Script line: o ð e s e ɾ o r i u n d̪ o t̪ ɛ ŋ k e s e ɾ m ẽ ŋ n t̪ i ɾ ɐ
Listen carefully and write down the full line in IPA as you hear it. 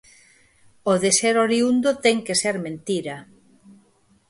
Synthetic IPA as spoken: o ð e s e ɾ o ɾ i u n d̪ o t̪ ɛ ŋ k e s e ɾ m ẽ n t̪ i ɾ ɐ

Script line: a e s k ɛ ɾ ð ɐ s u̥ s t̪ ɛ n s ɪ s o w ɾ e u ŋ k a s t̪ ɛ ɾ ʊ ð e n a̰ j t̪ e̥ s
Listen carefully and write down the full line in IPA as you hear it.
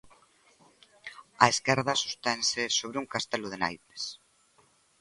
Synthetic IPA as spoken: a e s k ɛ ɾ ð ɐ s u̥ s t̪ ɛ n s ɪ s o β ɾ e u ŋ k a s t̪ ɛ l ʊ ð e n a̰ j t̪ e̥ s

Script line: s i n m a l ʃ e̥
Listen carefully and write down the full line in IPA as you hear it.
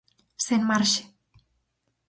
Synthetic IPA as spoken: s e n m a ɾ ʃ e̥

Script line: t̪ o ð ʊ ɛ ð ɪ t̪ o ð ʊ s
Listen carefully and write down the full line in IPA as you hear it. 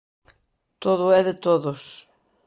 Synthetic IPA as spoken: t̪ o ð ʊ ɛ ð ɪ t̪ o ð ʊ s

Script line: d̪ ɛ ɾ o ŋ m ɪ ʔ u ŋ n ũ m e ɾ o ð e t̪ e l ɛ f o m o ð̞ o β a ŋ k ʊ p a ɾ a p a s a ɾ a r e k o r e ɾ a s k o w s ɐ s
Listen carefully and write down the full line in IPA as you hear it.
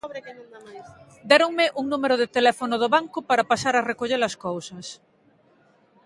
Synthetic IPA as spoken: d̪ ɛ ɾ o ŋ m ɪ ʔ u ŋ n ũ m e ɾ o ð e t̪ e l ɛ f o n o ð̞ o β a ŋ k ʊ p a ɾ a p a s a ɾ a r e k o ʎ e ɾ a s k o w s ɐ s

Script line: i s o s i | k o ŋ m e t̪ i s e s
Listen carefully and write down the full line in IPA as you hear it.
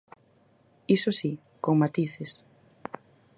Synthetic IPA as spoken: i s o s i | k o ŋ m a t̪ i θ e s

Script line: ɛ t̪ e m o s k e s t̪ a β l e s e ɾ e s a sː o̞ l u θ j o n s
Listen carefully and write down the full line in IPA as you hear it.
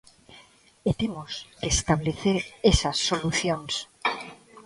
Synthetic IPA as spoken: e t̪ e m o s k e s t̪ a β l e θ e ɾ e s a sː o̞ l u θ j o n s

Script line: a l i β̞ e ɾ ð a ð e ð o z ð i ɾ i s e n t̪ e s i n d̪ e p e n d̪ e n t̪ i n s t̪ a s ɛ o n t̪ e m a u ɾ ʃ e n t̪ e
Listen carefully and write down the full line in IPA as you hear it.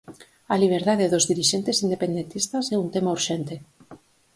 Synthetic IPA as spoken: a l i β̞ e ɾ ð a ð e ð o z ð i ɾ i ʃ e n t̪ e s i n d̪ e p e n d̪ e n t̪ i s t̪ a s ɛ u n t̪ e m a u ɾ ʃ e n t̪ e

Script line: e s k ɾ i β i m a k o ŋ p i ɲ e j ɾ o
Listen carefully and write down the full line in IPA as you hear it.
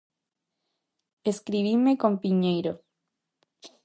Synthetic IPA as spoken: e s k ɾ i β i m e k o m p i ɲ e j ɾ o

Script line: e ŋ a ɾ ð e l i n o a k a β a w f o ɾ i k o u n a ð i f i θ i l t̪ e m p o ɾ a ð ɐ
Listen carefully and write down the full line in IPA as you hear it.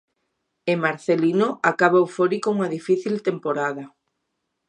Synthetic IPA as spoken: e m a ɾ θ e l i n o a k a β a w f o ɾ i k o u ŋ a ð i f i θ i l t̪ e m p o ɾ a ð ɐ

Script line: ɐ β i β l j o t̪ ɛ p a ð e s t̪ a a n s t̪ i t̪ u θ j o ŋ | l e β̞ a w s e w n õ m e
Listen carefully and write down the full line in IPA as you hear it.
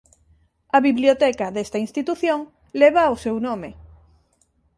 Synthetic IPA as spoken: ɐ β i β l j o t̪ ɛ k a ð e s t̪ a i n s t̪ i t̪ u θ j o ŋ | l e β̞ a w s e w n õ m e

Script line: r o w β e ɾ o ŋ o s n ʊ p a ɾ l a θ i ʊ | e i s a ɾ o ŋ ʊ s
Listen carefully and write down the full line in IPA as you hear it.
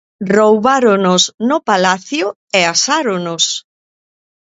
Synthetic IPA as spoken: r o w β a ɾ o n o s n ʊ p a l a θ j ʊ | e a s a ɾ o n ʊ s

